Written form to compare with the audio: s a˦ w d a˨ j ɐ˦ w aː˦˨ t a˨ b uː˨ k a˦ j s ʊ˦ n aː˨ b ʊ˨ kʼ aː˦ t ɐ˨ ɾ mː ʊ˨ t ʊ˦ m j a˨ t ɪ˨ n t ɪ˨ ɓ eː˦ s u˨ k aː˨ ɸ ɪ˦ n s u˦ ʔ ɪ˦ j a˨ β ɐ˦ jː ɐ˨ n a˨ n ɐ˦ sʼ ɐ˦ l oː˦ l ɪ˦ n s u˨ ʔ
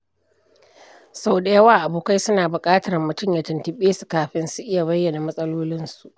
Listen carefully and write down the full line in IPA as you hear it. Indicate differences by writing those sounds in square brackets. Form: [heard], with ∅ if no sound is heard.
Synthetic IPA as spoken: s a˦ w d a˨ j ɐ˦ w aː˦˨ [ʔ] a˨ b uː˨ k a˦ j s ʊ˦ n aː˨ b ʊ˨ kʼ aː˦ t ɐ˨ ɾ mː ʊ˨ t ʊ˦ m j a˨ t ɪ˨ n t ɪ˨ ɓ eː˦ s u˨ k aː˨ ɸ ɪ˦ n s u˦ ʔ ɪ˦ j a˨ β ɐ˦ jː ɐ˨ n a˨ [m] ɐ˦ sʼ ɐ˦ l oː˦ l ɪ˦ n s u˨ ʔ